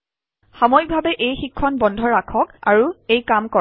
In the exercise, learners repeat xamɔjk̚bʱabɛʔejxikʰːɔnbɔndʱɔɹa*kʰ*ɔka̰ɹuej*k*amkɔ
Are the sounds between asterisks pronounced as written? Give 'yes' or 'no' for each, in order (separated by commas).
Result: yes, yes